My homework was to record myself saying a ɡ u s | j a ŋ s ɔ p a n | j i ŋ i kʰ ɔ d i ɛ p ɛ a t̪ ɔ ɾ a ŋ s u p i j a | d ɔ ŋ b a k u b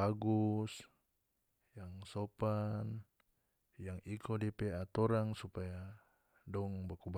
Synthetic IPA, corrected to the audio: a ɡ u s | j a ŋ s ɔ p a n | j a ŋ i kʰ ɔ d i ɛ p ɛ a t̪ ɔ ɾ a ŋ s u p a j a | d ɔ ŋ b a k u b